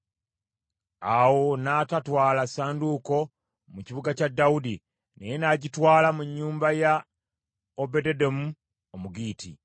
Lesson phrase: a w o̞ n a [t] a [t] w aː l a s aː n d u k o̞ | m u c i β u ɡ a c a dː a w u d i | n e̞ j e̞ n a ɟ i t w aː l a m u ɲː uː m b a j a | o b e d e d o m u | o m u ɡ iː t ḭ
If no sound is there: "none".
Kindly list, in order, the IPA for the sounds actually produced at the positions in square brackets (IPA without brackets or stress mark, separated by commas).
t, t